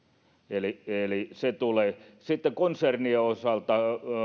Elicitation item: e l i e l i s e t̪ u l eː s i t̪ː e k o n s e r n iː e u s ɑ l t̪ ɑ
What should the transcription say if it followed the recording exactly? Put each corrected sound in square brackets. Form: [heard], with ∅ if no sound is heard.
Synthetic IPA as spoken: e l i e l i s e t̪ u l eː s i t̪ː e k o n s e r n [i] e [o] s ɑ l t̪ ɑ